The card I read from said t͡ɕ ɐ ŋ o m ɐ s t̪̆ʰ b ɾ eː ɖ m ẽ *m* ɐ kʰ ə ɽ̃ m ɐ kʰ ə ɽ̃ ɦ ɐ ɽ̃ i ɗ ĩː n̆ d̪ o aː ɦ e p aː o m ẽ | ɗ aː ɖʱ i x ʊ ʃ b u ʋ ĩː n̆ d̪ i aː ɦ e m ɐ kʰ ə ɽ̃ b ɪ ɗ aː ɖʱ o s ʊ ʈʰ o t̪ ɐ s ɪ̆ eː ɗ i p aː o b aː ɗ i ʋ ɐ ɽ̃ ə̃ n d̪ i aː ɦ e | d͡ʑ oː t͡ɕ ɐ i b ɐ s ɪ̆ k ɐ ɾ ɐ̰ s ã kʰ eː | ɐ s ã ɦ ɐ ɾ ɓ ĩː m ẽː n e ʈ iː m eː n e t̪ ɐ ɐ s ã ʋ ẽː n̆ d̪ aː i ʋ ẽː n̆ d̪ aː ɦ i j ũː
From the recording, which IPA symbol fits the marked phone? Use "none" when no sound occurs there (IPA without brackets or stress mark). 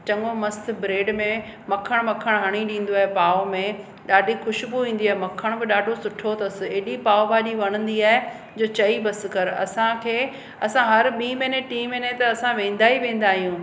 m